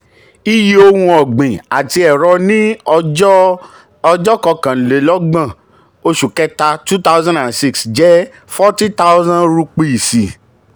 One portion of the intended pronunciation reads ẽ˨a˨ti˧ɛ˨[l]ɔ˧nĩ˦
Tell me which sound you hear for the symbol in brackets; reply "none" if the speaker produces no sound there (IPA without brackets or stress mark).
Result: ɾ